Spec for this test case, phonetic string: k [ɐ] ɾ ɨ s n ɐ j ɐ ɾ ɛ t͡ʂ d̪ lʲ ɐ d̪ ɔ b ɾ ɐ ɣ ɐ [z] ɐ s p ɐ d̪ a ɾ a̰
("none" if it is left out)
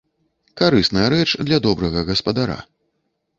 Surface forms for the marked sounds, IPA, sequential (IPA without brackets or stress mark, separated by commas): a, ɣ